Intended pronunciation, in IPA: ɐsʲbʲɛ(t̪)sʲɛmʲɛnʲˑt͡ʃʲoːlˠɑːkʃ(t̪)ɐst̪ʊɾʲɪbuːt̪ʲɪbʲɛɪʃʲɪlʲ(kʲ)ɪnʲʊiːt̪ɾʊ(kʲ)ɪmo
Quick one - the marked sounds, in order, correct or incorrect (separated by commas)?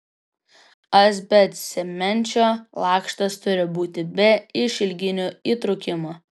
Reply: correct, correct, incorrect, correct